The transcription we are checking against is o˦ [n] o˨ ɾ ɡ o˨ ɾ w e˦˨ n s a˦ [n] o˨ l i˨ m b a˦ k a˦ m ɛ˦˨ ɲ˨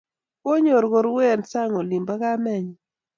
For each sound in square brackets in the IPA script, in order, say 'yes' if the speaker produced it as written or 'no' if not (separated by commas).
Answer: no, no